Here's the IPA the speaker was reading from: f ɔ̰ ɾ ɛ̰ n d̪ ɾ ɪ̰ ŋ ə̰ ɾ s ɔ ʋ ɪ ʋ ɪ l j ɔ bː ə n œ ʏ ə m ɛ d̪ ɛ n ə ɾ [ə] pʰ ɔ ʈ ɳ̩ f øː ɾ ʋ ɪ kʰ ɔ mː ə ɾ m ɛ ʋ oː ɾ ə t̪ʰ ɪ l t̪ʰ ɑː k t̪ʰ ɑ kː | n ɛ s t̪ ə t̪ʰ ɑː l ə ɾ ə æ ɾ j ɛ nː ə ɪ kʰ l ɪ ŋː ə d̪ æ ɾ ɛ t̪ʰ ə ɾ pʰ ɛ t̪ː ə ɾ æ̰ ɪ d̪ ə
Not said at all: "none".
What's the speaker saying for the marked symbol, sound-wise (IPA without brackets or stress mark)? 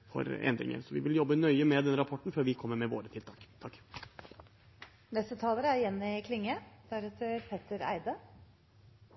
ɑ